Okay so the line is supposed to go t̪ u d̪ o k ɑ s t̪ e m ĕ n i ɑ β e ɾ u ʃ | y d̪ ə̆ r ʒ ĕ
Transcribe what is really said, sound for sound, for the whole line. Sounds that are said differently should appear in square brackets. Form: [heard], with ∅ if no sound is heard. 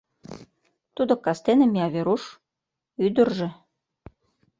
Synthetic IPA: t̪ u d̪ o k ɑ s t̪ e [n] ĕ [m] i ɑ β e ɾ u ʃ | y d̪ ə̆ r ʒ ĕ